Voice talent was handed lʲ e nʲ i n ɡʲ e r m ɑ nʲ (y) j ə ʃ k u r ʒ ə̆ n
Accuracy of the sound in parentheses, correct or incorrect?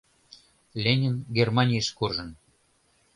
incorrect